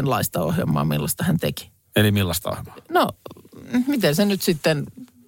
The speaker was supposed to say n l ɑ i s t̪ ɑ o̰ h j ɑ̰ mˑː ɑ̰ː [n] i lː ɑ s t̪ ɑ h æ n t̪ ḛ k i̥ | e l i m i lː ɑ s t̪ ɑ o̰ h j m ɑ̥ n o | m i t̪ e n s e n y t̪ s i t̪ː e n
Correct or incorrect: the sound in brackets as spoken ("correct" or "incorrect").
incorrect